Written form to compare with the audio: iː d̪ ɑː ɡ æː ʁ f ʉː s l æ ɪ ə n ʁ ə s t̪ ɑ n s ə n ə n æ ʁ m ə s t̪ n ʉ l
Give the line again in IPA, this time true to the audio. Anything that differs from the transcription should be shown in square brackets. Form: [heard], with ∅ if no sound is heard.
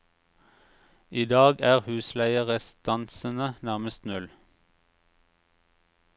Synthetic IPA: iː d̪ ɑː ɡ æː ʁ [h] ʉː s l æ ɪ ə [∅] ʁ ə s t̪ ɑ n s ə n ə n æ ʁ m ə s t̪ n ʉ l